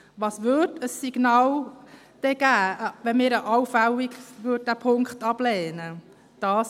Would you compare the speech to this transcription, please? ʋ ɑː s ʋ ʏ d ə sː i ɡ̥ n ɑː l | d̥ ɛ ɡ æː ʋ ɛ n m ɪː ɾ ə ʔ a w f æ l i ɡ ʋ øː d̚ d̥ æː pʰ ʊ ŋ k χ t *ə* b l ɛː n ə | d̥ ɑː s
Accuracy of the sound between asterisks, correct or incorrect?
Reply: incorrect